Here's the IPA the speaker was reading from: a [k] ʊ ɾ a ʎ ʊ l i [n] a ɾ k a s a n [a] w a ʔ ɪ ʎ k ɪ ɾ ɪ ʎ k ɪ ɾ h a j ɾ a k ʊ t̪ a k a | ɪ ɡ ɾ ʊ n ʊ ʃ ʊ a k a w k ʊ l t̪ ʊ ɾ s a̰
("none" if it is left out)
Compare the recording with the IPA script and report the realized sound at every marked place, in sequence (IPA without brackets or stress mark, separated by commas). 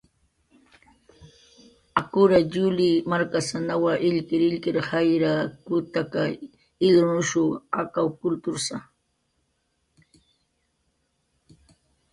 k, m, a